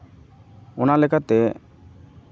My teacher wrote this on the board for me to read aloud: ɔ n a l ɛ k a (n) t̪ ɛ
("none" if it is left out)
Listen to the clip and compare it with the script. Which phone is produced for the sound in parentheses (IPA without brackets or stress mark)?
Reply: none